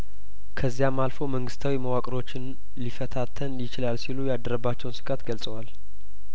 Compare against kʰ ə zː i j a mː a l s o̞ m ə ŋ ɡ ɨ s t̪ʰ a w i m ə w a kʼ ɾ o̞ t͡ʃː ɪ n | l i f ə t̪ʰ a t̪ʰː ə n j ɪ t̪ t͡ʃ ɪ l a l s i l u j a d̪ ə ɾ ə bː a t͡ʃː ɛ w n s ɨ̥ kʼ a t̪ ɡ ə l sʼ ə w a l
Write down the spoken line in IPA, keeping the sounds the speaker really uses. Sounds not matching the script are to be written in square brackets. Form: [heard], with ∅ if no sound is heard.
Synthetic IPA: kʰ ə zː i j a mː a l [f] o̞ m ə ŋ ɡ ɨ s t̪ʰ a w i m ə w a kʼ ɾ o̞ t͡ʃː ɪ n | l i f ə t̪ʰ a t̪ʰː ə n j ɪ [∅] t͡ʃ ɪ l a l s i l u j a d̪ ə ɾ ə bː a t͡ʃː ɛ w n s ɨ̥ kʼ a t̪ ɡ ə l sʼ ə w a l